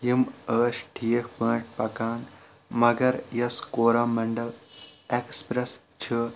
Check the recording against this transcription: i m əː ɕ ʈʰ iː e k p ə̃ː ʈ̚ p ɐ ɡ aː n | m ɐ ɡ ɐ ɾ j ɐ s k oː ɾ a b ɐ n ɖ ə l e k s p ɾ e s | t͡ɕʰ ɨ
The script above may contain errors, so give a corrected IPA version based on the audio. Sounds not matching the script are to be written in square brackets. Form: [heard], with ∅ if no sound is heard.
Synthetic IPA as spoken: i m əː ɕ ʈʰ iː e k p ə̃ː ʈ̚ p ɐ [k] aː n | m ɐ ɡ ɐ ɾ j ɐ s k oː ɾ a [m] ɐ [ɳ] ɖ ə l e k s p ɾ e s | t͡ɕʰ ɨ